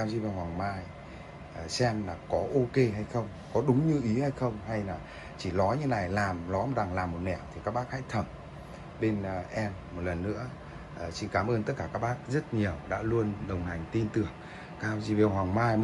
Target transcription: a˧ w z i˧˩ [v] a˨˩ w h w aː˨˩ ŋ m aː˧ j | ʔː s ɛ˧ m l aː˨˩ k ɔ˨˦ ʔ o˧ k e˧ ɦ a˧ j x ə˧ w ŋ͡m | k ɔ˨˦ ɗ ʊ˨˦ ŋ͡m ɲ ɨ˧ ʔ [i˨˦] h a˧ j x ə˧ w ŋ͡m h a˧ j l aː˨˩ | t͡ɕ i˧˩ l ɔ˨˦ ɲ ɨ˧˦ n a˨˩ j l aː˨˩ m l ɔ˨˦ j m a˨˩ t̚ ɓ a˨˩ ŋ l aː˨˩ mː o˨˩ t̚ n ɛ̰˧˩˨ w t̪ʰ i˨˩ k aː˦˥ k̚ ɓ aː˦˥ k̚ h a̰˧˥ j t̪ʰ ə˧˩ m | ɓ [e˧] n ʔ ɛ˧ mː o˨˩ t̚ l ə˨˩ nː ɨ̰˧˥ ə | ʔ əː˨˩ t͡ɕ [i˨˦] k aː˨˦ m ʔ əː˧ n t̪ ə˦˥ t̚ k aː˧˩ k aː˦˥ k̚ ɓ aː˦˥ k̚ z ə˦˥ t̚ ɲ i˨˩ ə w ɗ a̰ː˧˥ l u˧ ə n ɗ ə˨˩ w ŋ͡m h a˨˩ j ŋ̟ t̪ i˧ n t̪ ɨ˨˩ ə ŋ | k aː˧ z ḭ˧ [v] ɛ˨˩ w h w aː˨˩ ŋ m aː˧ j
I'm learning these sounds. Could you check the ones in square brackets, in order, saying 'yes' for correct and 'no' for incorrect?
yes, yes, yes, no, yes

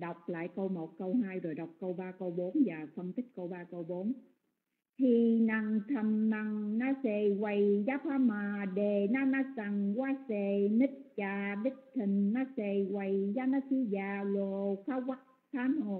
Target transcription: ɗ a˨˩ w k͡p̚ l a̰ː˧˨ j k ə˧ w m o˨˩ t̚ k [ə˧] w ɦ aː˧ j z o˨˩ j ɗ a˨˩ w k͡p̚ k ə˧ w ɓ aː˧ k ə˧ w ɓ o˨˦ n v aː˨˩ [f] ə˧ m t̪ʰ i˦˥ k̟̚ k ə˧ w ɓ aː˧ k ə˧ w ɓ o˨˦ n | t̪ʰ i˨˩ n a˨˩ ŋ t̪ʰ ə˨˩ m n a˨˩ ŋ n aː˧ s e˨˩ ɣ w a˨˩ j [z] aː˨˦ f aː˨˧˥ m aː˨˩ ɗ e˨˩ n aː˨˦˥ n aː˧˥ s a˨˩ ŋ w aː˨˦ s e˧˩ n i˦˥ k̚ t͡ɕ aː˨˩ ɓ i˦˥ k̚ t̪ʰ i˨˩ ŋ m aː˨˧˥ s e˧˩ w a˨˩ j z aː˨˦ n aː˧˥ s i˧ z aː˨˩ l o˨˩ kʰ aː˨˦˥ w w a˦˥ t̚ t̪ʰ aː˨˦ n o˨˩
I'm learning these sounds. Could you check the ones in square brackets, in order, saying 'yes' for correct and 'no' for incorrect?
yes, yes, yes

